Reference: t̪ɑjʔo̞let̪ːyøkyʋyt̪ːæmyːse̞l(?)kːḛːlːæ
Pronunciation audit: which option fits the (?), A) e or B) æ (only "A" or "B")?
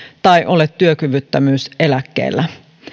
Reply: B